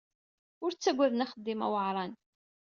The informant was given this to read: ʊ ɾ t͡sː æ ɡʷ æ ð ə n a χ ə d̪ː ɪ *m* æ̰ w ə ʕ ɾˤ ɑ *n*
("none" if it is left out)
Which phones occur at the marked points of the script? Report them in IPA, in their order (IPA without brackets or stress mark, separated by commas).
m, n